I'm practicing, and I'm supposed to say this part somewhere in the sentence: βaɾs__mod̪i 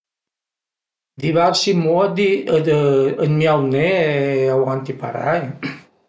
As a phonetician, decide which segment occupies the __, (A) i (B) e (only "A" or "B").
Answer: A